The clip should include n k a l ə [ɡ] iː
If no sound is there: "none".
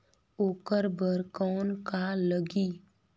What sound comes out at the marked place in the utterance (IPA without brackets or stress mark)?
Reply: ɡ